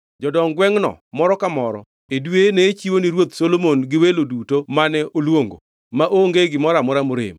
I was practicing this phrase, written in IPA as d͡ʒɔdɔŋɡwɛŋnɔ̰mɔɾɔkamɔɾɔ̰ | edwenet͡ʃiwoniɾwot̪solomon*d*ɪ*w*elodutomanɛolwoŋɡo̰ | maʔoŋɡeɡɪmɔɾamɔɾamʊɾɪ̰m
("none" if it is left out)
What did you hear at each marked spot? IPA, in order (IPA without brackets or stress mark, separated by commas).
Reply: ɡ, w